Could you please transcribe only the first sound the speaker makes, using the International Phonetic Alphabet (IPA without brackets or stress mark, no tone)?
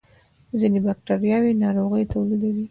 z